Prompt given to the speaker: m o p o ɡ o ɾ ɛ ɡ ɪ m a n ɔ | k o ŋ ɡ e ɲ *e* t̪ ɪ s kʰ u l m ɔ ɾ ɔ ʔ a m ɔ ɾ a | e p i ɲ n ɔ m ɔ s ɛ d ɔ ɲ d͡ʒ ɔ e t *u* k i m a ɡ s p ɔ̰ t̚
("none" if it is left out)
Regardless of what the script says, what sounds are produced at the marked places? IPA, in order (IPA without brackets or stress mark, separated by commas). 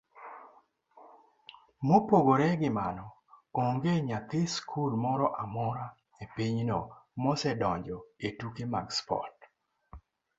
a, u